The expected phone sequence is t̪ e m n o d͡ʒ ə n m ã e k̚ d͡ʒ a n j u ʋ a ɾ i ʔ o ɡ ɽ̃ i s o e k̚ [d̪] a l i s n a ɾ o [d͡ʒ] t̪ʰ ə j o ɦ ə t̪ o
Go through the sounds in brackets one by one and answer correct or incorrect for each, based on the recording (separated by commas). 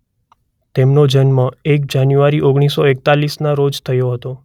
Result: incorrect, correct